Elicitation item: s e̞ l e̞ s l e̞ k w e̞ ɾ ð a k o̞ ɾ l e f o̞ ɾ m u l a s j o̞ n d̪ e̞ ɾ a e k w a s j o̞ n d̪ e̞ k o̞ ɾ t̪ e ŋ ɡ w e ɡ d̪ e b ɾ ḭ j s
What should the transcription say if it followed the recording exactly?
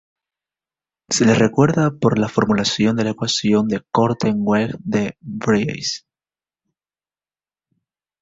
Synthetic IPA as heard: s e̞ l e̞ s r e̞ k w e̞ ɾ ð a p o̞ ɾ l a f o̞ ɾ m u l a s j o̞ n d̪ e̞ l a e k w a s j o̞ n d̪ e̞ k o̞ ɾ t̪ e ŋ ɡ w e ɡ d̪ e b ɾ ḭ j s